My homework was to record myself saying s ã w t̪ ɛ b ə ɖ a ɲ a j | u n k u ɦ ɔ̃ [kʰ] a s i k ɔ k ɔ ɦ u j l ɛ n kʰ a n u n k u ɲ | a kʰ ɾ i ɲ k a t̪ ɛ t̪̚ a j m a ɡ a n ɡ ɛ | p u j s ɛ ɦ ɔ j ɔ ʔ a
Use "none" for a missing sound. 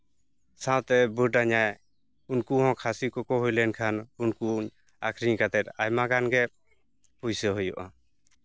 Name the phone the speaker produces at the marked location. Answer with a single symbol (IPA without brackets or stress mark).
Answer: kʰ